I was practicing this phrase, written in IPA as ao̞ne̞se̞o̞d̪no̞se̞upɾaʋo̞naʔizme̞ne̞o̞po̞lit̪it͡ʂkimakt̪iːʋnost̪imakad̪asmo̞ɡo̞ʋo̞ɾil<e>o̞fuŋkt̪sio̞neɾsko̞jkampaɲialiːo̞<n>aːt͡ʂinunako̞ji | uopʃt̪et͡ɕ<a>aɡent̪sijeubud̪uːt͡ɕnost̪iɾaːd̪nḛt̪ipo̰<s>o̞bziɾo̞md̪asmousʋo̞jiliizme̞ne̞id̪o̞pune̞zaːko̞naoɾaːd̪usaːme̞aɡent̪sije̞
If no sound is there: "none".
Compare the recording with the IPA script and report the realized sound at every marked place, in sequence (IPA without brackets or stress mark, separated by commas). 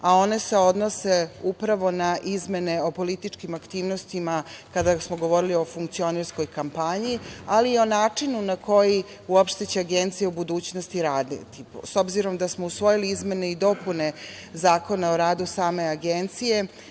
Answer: i, n, e, s